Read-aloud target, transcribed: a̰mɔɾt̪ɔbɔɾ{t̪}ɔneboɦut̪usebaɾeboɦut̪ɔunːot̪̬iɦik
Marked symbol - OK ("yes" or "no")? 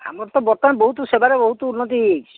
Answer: yes